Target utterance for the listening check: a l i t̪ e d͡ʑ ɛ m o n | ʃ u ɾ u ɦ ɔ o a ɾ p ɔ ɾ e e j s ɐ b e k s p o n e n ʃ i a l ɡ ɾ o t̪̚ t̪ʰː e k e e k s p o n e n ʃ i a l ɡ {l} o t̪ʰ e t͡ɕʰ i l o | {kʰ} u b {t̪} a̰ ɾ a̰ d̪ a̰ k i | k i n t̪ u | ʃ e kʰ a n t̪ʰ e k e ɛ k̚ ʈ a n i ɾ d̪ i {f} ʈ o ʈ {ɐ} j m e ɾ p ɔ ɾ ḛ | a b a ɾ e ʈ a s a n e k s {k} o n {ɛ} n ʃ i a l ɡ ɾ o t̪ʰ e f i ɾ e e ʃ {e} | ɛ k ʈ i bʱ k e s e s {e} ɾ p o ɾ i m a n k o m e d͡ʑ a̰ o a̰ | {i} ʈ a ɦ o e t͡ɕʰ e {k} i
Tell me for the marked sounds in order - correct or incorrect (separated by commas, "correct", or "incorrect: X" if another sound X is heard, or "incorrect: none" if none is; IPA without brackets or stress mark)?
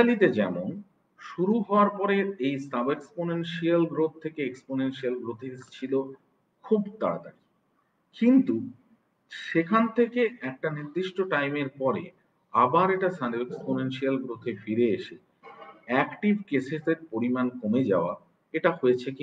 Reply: incorrect: ɾ, correct, correct, incorrect: ʃ, incorrect: a, incorrect: p, incorrect: e, correct, correct, incorrect: e, correct